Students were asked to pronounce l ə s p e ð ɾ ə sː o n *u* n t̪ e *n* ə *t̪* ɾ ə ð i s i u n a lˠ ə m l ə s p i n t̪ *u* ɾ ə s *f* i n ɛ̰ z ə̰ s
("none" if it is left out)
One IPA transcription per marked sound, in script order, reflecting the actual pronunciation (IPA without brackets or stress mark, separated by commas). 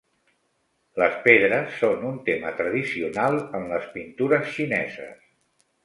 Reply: u, m, t̪, u, ʃ